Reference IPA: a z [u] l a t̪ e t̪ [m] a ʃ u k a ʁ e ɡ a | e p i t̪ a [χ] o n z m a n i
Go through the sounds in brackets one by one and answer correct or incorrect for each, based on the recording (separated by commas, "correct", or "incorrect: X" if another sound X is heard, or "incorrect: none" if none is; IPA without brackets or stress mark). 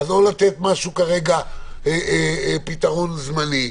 incorrect: o, correct, incorrect: ʁ